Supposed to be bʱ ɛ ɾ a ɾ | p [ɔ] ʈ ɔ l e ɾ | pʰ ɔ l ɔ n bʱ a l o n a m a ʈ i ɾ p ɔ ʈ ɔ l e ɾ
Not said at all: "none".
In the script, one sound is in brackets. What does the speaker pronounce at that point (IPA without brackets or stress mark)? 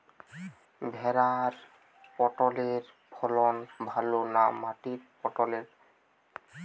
ɔ